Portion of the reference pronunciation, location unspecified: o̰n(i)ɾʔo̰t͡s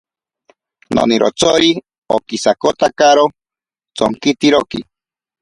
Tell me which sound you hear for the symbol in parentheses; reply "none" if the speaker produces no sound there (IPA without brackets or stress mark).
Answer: i